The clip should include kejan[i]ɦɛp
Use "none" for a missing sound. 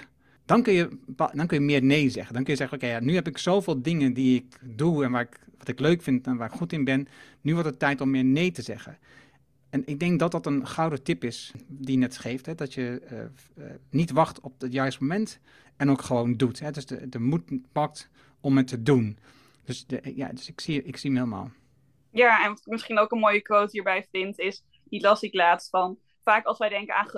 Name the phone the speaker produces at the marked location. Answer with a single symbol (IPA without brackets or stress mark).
y